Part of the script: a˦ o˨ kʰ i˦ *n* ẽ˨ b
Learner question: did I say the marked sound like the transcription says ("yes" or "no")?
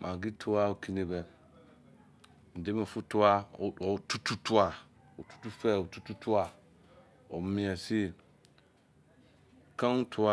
yes